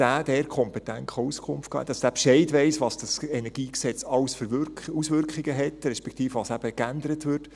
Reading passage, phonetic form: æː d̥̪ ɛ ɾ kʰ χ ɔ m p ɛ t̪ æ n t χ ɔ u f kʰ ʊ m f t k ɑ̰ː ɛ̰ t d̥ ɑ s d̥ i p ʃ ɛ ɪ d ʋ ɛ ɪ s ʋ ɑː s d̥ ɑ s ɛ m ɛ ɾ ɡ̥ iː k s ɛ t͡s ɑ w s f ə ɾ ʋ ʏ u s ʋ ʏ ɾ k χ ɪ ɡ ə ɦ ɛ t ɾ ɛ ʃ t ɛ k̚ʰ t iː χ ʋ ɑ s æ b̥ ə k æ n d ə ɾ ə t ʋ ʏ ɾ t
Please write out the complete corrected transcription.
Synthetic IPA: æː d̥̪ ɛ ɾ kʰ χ ɔ m p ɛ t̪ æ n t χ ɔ u s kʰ ʊ m f t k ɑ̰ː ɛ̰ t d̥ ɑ s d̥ æ p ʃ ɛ ɪ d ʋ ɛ ɪ s ʋ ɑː s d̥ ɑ s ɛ n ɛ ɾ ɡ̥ iː k s ɛ t͡s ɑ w s f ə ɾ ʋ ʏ u s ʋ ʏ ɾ k χ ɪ ɡ ə ɦ ɛ t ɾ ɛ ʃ p ɛ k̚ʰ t iː f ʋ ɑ s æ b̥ ə k æ n d ə ɾ ə t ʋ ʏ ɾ t